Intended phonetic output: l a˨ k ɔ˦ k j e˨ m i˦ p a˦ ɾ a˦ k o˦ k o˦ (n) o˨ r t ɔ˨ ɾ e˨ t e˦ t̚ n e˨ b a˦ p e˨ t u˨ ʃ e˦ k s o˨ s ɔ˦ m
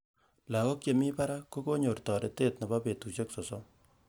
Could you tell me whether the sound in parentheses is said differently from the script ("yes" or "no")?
yes